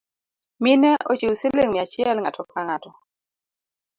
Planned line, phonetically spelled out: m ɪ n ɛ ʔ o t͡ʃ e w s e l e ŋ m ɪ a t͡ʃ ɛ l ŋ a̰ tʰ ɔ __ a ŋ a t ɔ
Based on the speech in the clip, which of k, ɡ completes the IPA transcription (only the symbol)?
k